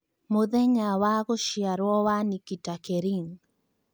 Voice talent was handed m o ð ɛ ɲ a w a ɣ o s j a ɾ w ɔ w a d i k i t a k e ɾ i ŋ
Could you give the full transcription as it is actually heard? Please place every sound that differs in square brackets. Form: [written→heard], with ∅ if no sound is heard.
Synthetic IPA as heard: m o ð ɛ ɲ a w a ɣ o [s→ʃ] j a ɾ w ɔ w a [d→n] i k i t a k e ɾ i ŋ